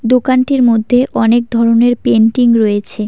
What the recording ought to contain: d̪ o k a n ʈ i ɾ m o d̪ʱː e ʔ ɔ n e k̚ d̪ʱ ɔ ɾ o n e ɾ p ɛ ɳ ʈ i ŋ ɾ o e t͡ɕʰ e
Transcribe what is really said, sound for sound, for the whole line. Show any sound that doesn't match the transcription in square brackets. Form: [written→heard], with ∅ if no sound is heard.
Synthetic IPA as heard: d̪ o k a n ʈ i ɾ m o d̪ʱː e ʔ ɔ n e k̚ d̪ʱ ɔ ɾ o n e ɾ p [ɛ→e] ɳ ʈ i ŋ ɾ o e t͡ɕʰ e